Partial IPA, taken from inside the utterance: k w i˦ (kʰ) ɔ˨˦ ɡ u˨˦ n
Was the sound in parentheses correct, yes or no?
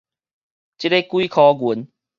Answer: yes